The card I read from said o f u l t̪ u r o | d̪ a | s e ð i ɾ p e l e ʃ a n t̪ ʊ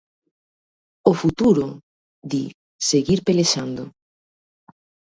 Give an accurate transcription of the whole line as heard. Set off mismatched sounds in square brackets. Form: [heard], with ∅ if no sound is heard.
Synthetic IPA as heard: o f u [∅] t̪ u [ɾ] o | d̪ [i] | s e [ɣ] i ɾ p e l e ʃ a n [d̪] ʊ